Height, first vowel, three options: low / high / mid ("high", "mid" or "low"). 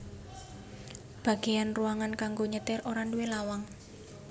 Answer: low